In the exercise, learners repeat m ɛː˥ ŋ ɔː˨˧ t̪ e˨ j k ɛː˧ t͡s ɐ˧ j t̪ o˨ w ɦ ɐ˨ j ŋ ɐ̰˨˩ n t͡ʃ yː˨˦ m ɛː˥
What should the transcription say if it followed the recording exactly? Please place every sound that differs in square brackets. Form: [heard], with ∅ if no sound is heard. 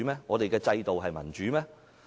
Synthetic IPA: m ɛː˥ ŋ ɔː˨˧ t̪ e˨ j k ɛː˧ t͡s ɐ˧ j t̪ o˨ w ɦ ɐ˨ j [m] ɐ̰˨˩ n t͡ʃ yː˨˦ m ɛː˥